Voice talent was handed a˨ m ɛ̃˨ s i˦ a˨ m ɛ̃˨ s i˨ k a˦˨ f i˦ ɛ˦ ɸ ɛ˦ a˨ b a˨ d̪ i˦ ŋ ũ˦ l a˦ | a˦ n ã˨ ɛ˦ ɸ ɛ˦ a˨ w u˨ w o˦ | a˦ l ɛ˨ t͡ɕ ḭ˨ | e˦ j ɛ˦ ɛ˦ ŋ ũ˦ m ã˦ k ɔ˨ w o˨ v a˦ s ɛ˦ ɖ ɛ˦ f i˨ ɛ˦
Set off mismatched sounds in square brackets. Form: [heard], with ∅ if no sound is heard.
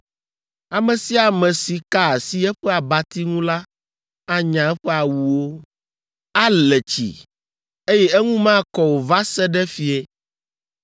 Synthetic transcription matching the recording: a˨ m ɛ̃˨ s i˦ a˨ m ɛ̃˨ s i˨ k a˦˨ [s] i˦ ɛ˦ ɸ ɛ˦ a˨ b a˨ [t̪] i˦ ŋ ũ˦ l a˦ | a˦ [ɲ] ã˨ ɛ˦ ɸ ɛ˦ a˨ w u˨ w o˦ | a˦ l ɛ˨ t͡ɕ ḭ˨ | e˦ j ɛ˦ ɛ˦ ŋ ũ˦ m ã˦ k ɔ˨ w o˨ v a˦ s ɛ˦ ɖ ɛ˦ f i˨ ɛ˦